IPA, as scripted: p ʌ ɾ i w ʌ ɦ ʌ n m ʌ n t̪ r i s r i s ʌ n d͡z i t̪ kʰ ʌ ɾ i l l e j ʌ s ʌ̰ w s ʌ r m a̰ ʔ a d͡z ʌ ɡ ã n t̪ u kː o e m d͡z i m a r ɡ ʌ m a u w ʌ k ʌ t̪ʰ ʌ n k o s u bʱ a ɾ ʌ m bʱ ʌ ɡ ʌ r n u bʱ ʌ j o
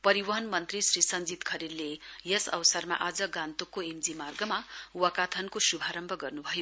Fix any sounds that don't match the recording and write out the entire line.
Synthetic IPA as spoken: p ʌ ɾ i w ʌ ɦ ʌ n m ʌ n t̪ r i s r i s ʌ n d͡z i t̪ kʰ ʌ ɾ i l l e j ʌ s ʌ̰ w s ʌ r m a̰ ʔ a d͡z ʌ ɡ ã n t̪ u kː o e m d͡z i m a r ɡ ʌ m a u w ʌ k a t̪ʰ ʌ n k o s u bʱ a ɾ ʌ m bʱ ʌ ɡ ʌ r n u bʱ ʌ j o